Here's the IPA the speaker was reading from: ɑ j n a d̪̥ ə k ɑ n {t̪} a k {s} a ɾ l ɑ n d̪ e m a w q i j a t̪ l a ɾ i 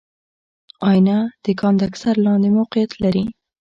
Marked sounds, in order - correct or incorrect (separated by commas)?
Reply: incorrect, correct